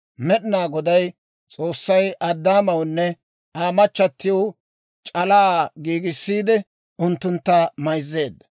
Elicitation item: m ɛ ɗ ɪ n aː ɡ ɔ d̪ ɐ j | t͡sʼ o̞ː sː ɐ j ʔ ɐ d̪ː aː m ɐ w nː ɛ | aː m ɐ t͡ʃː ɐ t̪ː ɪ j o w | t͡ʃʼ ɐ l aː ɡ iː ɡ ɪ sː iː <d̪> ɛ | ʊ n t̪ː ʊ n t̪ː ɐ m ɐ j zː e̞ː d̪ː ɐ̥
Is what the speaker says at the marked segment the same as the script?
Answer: yes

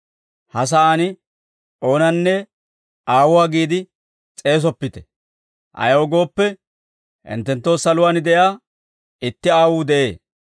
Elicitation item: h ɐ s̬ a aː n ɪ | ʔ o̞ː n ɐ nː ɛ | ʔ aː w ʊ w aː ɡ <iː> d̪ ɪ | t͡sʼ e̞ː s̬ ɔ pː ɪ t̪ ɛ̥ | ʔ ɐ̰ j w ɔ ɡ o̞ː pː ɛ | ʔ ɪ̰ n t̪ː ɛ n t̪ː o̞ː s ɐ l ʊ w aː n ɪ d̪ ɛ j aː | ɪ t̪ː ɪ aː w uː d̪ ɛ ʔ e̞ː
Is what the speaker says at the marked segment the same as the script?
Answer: yes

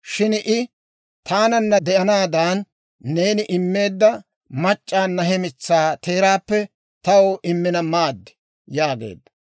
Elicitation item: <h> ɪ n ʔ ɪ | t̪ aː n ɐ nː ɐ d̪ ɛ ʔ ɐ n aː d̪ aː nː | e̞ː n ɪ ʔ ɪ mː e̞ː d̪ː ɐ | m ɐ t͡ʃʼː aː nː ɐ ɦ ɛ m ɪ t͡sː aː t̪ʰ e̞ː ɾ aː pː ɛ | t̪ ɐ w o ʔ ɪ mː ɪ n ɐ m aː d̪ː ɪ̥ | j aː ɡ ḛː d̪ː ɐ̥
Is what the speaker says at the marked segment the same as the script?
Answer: no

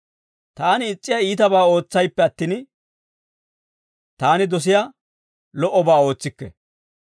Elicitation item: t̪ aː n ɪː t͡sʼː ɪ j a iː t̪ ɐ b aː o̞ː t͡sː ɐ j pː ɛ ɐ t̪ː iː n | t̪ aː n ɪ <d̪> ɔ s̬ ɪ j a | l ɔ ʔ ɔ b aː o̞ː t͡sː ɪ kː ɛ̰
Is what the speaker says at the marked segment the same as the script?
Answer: yes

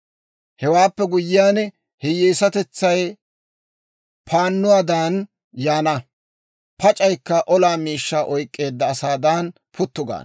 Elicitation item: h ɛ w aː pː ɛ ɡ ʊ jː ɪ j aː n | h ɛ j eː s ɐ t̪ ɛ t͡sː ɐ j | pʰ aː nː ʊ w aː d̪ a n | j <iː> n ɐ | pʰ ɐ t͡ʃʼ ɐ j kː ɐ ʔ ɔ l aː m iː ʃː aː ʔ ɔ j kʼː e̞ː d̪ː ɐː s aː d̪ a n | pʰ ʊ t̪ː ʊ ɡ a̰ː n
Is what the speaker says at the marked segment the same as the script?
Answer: no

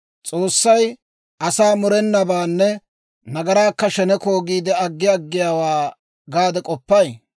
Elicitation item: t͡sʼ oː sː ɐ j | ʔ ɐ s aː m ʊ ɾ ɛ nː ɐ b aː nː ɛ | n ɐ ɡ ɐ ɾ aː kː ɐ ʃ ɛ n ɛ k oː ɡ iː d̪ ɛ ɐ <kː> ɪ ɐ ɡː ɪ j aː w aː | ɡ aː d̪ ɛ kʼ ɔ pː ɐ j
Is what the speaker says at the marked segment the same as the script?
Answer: no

